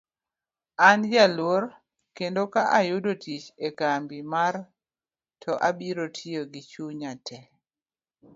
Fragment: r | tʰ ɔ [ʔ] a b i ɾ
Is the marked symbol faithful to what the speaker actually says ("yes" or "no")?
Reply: yes